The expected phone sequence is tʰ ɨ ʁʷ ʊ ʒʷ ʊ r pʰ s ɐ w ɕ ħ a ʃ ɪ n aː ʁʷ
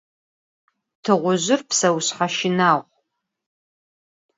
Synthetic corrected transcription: tʰ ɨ ʁʷ ʊ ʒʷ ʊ r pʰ s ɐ w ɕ ħ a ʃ ɪ n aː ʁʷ

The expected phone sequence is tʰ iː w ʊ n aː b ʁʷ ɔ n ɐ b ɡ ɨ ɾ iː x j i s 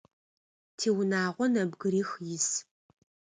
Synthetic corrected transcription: tʰ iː w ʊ n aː ʁʷ ɔ n ɐ b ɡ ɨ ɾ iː x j ɪ s

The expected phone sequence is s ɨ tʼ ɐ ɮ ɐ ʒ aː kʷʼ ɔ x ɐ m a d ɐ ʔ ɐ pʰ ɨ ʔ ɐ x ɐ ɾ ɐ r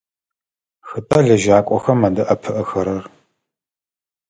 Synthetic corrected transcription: x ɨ tʼ ɐ ɮ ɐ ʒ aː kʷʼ ɔ x ɐ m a d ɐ ʔ ɐ pʰ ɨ ʔ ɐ x ɐ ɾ ɐ r

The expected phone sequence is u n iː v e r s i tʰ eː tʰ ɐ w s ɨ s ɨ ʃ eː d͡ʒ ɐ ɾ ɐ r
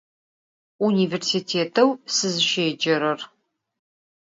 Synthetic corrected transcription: u n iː v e r s i tʰ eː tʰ ɐ w s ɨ z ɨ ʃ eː d͡ʒ ɐ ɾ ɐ r

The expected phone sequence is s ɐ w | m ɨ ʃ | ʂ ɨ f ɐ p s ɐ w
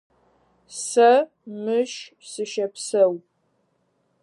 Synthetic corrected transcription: s ɐ | m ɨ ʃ | s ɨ ʃ ɐ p s ɐ w

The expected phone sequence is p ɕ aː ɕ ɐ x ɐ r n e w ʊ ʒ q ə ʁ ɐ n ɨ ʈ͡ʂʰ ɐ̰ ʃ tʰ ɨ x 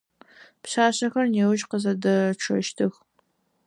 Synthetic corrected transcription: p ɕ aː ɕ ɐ x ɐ r n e w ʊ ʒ q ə z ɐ d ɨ ʈ͡ʂʰ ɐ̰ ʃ tʰ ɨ x

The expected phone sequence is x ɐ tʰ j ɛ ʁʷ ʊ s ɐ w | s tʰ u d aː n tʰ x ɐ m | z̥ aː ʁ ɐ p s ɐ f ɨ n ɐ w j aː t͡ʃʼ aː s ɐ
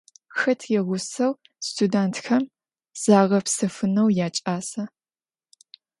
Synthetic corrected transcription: x ɐ tʰ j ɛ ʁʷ ʊ s ɐ w | s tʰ u d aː n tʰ x ɐ m | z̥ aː ʁ ɐ p s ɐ f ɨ n ɐ w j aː t͡ʃʼ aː s ɐ

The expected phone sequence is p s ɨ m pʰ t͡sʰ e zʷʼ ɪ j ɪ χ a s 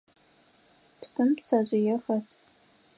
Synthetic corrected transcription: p s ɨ m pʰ t͡sʰ a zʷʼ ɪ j ɪ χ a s

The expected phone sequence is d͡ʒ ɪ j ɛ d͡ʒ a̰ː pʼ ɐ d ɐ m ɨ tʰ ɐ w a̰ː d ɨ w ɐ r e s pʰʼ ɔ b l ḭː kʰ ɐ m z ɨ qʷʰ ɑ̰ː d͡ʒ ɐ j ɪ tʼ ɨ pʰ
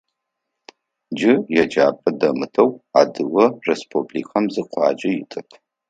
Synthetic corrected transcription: d͡ʒ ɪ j ɛ d͡ʒ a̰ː pʼ ɐ d ɐ m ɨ tʰ ɐ w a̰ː d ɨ w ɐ r e s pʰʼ u b l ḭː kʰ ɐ m z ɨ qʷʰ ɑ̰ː d͡ʒ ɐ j ɪ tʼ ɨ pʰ

